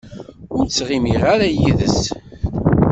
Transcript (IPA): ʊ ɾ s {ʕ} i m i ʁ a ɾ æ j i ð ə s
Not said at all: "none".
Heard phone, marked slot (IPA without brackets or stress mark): ʁ